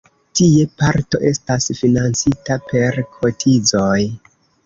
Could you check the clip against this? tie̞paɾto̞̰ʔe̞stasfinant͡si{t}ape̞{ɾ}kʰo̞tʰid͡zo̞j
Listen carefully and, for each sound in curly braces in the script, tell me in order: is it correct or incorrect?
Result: correct, correct

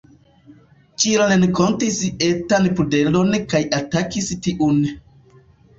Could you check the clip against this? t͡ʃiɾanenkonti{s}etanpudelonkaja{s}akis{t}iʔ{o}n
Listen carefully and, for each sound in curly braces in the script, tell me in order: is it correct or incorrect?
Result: correct, incorrect: t, correct, incorrect: u

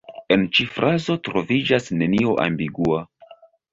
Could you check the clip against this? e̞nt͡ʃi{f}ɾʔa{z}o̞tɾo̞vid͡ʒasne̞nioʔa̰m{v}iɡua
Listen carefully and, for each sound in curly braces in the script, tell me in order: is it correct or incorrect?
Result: correct, correct, incorrect: b

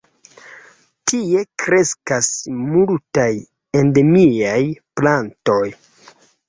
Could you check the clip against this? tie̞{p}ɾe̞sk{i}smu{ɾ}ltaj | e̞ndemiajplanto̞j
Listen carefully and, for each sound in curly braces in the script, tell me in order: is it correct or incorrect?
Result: incorrect: k, incorrect: a, incorrect: none

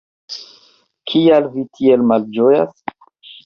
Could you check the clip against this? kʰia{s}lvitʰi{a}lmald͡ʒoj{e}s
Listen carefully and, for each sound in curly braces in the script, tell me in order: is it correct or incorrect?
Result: incorrect: none, incorrect: e, incorrect: a

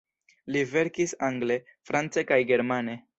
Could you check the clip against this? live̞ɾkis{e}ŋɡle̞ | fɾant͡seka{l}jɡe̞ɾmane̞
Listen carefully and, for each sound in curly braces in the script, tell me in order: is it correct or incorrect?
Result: incorrect: a, incorrect: none

